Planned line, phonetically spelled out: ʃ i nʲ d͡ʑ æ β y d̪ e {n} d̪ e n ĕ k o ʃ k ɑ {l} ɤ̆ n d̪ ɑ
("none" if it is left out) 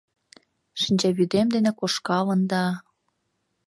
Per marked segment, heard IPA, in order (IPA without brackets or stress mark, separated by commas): m, l